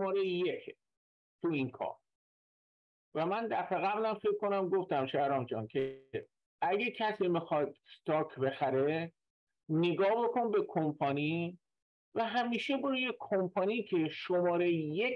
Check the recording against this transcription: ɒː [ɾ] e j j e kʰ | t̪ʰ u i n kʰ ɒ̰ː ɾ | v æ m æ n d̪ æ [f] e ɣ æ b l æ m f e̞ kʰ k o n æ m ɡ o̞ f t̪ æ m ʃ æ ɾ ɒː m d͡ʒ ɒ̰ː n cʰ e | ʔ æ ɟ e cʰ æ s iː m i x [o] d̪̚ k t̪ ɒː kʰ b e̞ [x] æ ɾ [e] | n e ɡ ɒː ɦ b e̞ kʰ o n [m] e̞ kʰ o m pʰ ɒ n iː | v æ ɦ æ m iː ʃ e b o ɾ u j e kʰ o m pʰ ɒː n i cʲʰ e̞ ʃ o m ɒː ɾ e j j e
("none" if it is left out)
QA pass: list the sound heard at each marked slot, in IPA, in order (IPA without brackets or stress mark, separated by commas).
ɾ, f, ɒ, x, e, b